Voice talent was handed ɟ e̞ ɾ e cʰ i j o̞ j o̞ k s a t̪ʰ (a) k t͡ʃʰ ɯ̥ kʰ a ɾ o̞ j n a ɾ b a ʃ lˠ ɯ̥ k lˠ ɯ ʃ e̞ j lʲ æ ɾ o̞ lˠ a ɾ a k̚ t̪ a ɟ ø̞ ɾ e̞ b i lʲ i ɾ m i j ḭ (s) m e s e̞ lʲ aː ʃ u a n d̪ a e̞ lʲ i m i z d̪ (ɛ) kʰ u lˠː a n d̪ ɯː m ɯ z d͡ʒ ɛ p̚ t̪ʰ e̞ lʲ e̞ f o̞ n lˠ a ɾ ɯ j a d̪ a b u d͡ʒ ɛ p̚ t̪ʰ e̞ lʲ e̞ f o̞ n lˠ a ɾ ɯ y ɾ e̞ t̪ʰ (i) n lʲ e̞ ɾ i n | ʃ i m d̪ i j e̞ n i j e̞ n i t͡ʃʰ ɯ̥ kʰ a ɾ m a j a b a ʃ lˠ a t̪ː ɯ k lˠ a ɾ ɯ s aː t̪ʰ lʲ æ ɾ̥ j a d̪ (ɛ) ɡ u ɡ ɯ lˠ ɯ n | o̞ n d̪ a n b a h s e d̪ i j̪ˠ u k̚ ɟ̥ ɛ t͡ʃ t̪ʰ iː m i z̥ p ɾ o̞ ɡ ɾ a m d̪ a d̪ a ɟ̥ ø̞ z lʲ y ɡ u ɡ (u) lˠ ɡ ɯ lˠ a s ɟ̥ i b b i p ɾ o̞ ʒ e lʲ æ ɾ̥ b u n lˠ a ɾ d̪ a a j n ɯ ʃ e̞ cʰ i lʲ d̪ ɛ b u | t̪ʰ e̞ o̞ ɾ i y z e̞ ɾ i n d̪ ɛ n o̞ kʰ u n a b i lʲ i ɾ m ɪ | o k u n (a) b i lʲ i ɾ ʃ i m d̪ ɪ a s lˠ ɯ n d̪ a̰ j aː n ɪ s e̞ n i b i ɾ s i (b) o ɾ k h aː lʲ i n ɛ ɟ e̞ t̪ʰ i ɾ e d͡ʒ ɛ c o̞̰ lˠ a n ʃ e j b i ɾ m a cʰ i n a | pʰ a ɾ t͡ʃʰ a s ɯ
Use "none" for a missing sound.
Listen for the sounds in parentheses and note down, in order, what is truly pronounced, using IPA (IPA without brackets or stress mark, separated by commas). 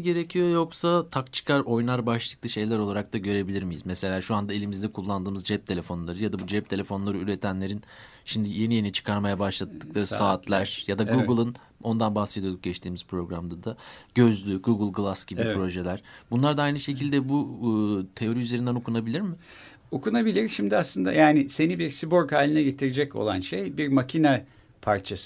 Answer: a, z, ɛ, æ, a, ɯ, a, b